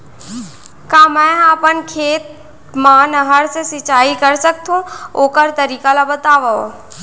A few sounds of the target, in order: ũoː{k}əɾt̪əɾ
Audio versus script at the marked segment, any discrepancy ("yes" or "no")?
no